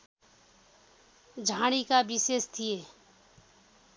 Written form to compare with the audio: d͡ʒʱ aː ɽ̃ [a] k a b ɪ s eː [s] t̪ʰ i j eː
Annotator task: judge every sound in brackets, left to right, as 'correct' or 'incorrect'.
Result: incorrect: i, correct

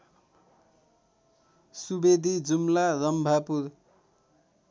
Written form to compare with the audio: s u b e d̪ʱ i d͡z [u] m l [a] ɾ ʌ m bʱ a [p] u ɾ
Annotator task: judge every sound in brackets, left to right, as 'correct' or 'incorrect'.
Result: correct, correct, correct

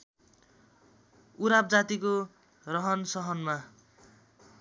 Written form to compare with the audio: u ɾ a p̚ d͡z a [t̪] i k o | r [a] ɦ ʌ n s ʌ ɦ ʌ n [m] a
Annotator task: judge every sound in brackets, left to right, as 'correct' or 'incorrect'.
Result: correct, incorrect: ʌ, correct

